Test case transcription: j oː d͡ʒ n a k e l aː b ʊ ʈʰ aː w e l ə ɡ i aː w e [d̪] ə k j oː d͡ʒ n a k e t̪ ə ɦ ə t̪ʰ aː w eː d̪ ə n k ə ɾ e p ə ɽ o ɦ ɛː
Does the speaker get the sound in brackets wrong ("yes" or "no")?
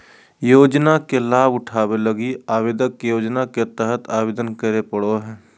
no